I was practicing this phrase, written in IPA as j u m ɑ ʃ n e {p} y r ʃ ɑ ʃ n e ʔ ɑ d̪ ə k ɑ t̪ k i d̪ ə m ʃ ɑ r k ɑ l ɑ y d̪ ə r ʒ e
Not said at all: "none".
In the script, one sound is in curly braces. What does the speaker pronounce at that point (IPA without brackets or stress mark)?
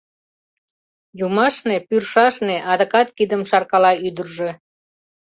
p